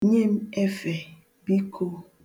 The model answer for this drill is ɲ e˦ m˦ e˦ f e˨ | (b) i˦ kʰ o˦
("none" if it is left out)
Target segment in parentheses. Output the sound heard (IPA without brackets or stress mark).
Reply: b